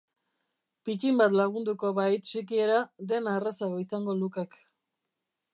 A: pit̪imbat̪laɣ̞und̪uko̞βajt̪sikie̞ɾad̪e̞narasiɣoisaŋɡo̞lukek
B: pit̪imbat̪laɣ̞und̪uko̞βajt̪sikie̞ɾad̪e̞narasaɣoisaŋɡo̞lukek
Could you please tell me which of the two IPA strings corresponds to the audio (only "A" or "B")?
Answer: B